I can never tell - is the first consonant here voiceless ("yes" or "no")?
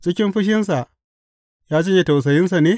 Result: yes